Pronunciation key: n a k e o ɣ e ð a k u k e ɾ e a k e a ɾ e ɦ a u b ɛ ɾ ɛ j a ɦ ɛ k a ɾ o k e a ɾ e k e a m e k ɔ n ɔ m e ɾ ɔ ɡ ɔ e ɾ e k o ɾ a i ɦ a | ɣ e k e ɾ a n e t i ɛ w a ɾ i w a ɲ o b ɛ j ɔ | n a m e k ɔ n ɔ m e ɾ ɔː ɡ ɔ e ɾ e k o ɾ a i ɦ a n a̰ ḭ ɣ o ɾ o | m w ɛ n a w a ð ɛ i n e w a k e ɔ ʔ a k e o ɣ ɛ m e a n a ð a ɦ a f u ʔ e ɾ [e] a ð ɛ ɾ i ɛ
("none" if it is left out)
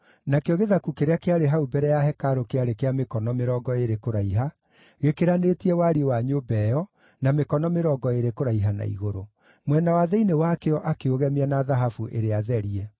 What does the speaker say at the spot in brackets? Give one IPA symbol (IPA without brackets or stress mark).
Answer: e